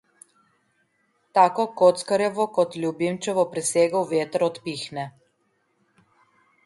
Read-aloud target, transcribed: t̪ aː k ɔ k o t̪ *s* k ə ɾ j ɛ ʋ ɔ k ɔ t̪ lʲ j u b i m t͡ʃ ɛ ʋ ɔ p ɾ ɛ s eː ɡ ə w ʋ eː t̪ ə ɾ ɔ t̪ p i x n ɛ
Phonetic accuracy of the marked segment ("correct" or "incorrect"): correct